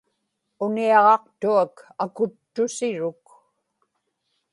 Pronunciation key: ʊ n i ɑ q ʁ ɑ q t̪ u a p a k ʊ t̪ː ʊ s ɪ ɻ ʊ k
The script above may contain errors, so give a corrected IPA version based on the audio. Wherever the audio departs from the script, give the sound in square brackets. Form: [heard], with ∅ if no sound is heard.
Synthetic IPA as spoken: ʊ n i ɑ [∅] ʁ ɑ q t̪ u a [k] a k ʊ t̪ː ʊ s ɪ ɻ ʊ k